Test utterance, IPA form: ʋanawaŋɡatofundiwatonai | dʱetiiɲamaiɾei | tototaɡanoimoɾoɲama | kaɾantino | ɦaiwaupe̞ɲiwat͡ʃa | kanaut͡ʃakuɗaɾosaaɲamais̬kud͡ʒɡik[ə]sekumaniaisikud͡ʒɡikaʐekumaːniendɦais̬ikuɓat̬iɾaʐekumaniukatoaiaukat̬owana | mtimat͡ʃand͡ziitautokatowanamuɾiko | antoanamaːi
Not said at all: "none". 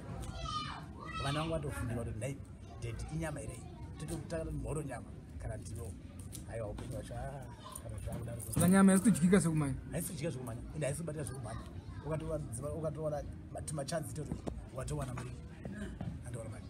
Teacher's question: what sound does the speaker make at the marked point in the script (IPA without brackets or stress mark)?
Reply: a